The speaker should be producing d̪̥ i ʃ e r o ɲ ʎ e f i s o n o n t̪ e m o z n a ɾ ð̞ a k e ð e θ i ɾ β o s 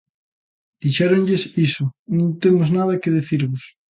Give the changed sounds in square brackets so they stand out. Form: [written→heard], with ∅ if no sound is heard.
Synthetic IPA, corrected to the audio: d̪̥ i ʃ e [r→ɾ] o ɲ ʎ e [f→s] i s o n [o→õ] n t̪ e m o z n a [ɾ→∅] ð̞ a k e ð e θ i ɾ β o s